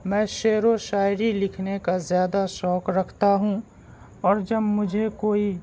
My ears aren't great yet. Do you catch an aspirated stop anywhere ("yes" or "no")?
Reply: yes